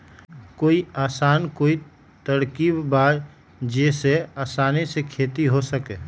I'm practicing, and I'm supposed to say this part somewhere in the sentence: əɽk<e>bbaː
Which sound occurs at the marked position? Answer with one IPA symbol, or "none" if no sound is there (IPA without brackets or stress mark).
i